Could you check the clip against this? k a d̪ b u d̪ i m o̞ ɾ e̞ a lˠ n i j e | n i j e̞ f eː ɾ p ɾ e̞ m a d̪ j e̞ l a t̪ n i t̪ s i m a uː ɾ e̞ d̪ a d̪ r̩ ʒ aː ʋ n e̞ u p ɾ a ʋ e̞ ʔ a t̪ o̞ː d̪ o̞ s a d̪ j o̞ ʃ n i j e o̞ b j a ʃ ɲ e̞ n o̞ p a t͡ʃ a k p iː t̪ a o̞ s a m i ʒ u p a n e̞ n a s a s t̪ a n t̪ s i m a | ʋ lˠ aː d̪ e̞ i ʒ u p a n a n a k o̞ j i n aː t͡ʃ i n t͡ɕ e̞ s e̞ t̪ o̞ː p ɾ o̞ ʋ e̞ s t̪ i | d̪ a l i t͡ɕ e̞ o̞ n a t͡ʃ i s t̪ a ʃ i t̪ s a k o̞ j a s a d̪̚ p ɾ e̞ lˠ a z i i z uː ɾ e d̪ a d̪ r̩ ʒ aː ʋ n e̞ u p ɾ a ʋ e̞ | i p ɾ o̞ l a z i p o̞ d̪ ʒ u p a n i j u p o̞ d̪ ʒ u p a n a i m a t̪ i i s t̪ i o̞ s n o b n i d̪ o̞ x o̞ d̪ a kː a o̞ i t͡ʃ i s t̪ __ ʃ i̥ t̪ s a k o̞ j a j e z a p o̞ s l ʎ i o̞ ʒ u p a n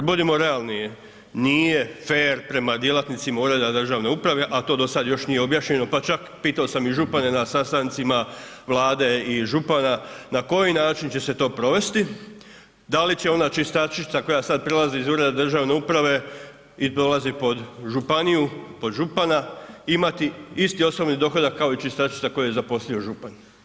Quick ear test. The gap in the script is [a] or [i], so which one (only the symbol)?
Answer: a